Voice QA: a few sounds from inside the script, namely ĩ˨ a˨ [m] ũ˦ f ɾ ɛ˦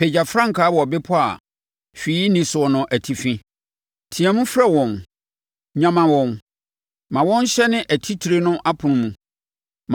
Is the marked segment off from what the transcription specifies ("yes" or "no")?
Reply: no